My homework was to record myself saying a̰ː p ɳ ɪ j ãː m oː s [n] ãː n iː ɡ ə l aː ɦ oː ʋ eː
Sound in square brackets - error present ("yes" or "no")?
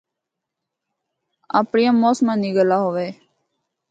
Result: yes